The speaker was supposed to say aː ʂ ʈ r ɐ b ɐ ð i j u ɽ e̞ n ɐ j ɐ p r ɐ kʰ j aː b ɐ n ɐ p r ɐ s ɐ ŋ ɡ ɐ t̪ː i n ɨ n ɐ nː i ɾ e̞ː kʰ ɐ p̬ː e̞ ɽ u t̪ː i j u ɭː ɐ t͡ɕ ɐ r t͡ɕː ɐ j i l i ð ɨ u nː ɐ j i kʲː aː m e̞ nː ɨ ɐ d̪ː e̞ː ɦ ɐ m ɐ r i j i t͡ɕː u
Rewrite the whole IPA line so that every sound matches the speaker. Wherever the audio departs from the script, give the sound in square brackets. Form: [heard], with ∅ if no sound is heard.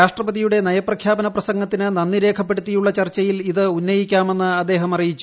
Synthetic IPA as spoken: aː ʂ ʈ r ɐ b ɐ ð i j u ɽ e̞ n ɐ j ɐ p r ɐ kʰ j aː b ɐ n ɐ p r ɐ s ɐ ŋ ɡ ɐ t̪ː i n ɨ n ɐ nː i ɾ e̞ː kʰ ɐ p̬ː e̞ ɽ u t̪ː i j u ɭː ɐ t͡ɕ ɐ r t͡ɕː ɐ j i l i ð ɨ u nː ɐ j i kʲː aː m e̞ nː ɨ ɐ d̪ː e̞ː ɦ ɐ m ɐ r i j i t͡ɕː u